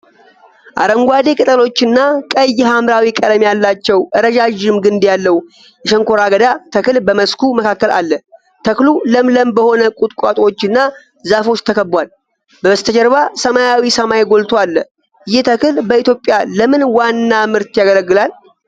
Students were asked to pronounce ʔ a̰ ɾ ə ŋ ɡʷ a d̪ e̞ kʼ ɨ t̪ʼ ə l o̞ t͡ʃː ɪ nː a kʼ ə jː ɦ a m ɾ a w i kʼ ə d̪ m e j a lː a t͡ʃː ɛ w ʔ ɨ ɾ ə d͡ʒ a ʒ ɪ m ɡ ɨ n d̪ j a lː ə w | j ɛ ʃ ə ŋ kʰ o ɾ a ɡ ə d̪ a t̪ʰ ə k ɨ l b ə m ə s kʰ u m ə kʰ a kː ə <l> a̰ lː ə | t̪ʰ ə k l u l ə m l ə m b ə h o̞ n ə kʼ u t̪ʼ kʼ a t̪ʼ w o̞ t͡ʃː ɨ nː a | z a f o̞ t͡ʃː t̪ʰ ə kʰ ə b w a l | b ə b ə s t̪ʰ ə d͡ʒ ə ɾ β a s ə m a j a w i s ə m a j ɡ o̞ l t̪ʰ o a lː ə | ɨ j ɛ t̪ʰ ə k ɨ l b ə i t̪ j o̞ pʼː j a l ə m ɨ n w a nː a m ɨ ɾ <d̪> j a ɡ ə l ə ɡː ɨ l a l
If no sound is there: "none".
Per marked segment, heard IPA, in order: l, t̪

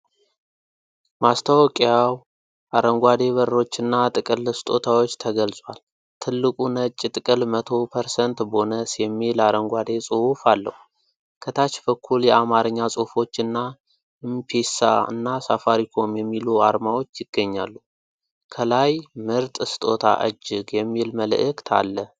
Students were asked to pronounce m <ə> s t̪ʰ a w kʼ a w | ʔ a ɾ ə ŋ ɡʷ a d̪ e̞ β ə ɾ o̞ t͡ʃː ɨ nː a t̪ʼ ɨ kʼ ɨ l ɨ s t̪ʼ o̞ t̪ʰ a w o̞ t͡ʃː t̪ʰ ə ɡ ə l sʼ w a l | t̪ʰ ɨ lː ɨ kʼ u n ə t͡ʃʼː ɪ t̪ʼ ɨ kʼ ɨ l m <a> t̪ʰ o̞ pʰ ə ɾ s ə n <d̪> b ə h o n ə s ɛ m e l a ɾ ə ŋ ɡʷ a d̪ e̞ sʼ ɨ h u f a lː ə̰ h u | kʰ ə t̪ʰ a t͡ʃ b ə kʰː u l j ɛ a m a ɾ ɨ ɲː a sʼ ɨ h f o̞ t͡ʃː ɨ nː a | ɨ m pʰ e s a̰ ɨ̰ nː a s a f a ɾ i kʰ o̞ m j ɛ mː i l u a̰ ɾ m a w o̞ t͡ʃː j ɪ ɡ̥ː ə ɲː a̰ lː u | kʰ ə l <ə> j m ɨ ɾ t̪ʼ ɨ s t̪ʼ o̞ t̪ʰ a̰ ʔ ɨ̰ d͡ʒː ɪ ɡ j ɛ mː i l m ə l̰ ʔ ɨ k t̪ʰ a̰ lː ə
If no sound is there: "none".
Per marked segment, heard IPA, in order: a, ə, t̪, a

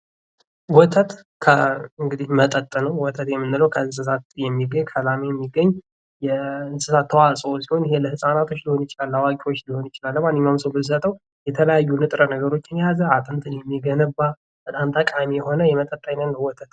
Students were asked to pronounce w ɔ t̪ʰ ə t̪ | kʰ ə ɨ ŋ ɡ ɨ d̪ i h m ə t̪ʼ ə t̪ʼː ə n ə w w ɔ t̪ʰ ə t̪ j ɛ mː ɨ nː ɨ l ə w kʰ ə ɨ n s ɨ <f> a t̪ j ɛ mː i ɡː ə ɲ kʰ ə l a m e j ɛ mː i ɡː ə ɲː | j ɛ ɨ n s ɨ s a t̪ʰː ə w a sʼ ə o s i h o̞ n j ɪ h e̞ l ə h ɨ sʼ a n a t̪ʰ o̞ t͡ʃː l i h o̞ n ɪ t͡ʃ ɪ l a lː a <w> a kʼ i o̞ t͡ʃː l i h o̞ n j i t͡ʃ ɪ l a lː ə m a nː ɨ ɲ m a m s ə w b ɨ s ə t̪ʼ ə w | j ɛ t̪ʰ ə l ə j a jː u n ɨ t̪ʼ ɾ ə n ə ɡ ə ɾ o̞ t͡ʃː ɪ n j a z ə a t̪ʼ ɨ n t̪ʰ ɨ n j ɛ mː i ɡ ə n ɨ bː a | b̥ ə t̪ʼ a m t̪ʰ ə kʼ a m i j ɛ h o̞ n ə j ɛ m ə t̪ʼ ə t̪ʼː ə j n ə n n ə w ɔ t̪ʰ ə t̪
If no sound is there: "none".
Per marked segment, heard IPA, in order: s, w

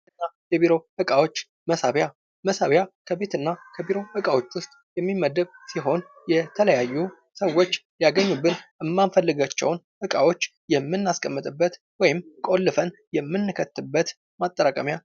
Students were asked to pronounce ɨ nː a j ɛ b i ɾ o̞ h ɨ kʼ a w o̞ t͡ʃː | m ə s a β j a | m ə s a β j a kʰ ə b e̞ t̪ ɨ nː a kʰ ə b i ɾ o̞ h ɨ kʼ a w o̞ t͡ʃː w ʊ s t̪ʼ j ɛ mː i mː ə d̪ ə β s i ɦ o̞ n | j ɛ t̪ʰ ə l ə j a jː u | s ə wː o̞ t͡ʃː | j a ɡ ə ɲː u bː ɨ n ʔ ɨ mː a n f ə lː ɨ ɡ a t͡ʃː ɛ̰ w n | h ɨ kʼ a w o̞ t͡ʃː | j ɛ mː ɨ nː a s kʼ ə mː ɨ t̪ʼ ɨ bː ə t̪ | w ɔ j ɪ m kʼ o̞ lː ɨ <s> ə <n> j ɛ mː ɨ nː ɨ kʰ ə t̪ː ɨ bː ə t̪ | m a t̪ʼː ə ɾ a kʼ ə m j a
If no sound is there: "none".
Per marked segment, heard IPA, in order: f, n

